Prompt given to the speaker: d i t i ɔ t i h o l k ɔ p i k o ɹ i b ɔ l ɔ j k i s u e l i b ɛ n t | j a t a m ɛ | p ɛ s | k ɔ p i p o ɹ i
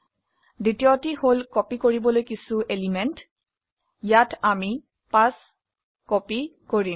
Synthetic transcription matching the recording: d i t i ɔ t i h o l k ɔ p i k o ɹ i b ɔ l o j k i s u e l i m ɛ n t | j a t a m i | p a s | k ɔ p i k o ɹ i